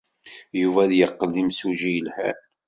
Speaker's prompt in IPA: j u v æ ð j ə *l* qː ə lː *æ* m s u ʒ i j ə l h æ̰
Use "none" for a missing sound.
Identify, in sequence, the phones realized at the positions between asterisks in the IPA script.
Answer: none, i

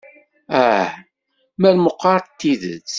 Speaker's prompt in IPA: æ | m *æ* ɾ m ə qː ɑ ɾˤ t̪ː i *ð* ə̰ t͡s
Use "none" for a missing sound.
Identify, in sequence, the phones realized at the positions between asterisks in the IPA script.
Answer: æ, ð

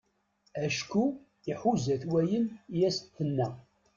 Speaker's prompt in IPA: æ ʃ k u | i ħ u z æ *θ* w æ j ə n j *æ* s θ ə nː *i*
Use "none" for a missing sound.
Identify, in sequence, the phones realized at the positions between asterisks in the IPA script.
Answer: θ, æ, æ

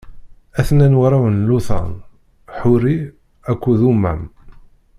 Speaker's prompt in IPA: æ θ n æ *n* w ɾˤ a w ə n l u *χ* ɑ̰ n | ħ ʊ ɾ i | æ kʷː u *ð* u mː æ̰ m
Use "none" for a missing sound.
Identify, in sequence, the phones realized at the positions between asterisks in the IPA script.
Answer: n, θ, ð

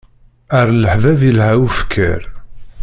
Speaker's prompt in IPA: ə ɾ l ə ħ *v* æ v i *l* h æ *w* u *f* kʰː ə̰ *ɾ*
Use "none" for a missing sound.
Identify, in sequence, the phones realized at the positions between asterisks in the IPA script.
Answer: v, l, w, f, ɾ

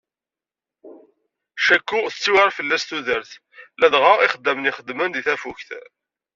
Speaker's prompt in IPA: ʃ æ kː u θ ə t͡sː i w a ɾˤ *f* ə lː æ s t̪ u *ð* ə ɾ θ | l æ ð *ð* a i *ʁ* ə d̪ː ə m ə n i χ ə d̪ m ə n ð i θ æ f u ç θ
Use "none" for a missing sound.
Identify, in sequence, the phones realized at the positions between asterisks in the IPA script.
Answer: f, ð, ʁ, χ

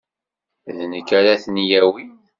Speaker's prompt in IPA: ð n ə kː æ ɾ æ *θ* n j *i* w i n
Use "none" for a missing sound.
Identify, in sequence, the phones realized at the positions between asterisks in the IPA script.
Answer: θ, æ

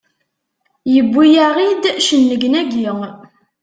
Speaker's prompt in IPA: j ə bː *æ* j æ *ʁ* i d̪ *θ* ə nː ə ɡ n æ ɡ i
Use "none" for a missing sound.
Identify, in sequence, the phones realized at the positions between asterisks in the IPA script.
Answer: i, ʁ, ʃ

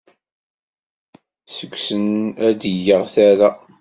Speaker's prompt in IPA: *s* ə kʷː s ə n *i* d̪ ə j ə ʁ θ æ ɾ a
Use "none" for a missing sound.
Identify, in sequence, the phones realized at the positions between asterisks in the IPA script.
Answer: s, æ

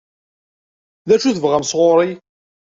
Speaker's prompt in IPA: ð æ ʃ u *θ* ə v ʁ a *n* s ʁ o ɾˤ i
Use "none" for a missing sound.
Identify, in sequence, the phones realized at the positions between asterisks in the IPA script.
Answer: θ, m

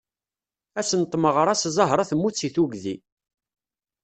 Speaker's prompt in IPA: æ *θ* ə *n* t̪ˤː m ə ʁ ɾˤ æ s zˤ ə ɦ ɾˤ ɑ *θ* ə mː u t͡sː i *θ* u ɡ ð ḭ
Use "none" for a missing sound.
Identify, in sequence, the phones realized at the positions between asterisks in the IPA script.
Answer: s, n, θ, θ

